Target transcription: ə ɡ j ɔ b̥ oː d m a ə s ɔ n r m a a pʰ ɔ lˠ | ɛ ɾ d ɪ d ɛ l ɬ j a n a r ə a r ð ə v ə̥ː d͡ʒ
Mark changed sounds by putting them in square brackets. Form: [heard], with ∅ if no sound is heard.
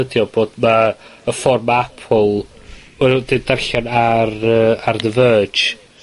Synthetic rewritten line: ə [d] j ɔ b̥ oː d m a ə [f] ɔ [∅] r m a a pʰ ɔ lˠ | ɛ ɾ d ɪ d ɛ [r] ɬ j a n a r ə a r ð ə v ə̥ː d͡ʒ